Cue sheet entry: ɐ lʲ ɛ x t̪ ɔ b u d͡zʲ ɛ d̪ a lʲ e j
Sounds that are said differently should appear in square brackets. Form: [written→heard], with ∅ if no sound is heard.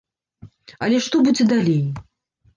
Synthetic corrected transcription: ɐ lʲ ɛ [x→ʂ] t̪ ɔ b u d͡zʲ ɛ d̪ a lʲ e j